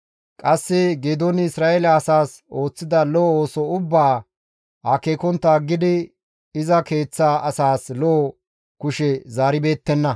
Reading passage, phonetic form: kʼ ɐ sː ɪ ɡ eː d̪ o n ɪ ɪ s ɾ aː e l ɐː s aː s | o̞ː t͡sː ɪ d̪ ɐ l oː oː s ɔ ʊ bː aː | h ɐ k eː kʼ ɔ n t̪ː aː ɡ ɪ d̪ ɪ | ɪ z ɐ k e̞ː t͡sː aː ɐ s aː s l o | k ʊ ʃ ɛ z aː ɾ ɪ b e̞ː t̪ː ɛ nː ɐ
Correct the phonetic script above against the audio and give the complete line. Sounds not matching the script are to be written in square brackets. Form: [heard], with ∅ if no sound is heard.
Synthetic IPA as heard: kʼ ɐ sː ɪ ɡ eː d̪ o n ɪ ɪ s ɾ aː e l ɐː s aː s | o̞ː t͡sː ɪ d̪ ɐ l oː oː s ɔ ʊ bː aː | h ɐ k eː [k] ɔ n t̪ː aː ɡ ɪ d̪ ɪ | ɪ z ɐ k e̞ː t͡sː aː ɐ s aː s l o | k ʊ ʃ ɛ z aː ɾ ɪ b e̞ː t̪ː ɛ nː ɐ